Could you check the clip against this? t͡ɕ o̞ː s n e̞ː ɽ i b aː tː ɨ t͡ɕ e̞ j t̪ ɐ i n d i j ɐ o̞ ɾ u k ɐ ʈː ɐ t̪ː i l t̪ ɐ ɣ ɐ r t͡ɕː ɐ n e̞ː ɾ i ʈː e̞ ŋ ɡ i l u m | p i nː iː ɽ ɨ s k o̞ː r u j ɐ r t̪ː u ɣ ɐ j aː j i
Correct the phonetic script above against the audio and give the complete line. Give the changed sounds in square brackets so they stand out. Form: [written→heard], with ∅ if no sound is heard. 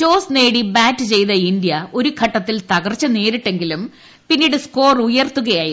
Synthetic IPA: t͡ɕ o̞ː s n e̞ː ɽ i b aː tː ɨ t͡ɕ e̞ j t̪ ɐ i n d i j ɐ o̞ ɾ u [k→kʰ] ɐ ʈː ɐ t̪ː i l t̪ ɐ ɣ ɐ r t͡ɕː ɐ n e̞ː ɾ i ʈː e̞ ŋ ɡ i l u m | p i nː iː ɽ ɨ s k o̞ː r u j ɐ r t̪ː u ɣ ɐ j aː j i